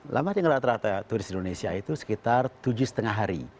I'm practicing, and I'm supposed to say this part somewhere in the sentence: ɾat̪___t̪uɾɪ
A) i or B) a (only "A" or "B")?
B